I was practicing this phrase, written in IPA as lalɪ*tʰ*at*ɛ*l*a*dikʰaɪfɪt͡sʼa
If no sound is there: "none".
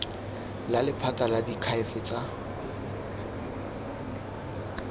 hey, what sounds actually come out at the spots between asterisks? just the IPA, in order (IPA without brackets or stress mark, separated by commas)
pʰ, a, a